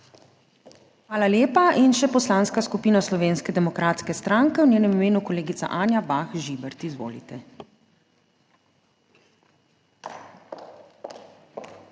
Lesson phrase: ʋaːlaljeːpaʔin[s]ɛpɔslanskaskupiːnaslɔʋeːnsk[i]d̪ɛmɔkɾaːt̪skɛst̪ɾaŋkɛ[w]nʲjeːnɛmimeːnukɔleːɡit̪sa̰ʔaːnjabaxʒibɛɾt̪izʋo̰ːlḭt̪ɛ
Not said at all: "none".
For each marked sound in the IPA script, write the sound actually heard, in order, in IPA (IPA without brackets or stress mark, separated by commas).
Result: ʃ, ɛ, w